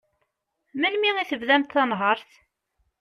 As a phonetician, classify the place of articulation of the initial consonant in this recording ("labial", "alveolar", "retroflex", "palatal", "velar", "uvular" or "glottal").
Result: labial